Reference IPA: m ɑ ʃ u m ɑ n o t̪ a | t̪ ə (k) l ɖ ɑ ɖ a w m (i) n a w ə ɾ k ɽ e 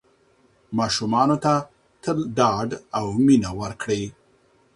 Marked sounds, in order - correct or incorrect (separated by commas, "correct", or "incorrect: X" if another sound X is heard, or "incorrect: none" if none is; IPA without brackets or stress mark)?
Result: incorrect: none, correct